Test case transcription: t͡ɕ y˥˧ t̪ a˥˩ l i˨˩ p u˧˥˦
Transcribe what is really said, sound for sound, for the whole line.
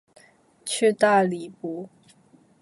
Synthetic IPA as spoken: t͡ɕʰ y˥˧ t̪ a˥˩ l i˨˩ p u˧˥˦

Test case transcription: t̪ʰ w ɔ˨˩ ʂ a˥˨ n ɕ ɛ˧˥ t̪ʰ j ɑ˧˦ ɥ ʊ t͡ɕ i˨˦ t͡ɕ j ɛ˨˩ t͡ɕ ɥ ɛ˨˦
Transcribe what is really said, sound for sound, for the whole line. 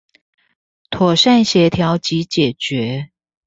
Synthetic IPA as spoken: t̪ʰ w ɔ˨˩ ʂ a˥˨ n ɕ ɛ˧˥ t̪ʰ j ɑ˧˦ ʊ t͡ɕ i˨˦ t͡ɕ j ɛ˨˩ t͡ɕ ɥ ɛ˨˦

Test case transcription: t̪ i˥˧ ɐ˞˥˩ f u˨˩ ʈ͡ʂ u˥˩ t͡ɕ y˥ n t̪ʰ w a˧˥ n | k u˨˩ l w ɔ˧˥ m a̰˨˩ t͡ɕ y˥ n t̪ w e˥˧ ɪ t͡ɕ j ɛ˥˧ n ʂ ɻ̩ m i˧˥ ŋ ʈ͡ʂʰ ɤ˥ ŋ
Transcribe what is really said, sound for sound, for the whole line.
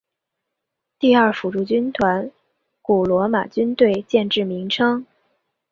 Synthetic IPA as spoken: t̪ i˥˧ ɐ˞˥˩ f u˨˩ ʈ͡ʂ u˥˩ t͡ɕ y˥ n t̪ʰ w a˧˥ n | k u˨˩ l w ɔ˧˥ m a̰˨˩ t͡ɕ y˥ n t̪ w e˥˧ ɪ t͡ɕ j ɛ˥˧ n ʈ͡ʂ ɻ̩ m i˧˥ ŋ ʈ͡ʂʰ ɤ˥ ŋ

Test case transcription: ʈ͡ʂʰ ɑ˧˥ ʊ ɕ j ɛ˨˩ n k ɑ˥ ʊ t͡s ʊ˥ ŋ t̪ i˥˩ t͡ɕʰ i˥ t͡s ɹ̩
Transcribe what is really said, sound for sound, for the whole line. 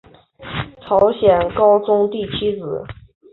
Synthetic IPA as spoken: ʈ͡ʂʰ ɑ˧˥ ʊ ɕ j ɛ˨˩ n k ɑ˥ ʊ t͡s ʊ˥ ŋ t̪ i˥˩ t͡ɕʰ i˥ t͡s ɹ̩

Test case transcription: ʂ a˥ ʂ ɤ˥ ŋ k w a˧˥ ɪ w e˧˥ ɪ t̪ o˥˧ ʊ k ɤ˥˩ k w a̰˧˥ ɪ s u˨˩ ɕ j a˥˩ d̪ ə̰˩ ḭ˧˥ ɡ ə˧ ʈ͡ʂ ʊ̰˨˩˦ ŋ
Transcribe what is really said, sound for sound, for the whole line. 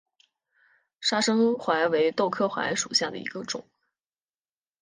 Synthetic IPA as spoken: ʂ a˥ ʂ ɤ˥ ŋ x w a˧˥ ɪ w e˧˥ ɪ t̪ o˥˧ ʊ kʰ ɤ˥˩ x w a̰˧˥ ɪ ʂ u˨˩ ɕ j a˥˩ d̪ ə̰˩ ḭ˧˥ ɡ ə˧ ʈ͡ʂ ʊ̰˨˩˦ ŋ

